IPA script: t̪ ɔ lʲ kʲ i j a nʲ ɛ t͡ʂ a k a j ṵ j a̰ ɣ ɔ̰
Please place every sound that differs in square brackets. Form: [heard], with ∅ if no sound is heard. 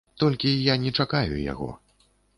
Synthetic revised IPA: t̪ ɔ lʲ kʲ i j a nʲ ɛ t͡ʂ a k a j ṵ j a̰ ɣ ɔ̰